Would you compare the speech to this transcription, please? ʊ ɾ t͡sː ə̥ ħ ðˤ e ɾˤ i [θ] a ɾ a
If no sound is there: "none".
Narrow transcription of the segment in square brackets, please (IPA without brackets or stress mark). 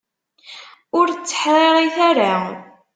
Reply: θ